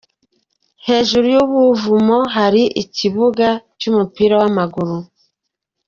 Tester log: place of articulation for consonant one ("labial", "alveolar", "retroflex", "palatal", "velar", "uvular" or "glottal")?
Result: glottal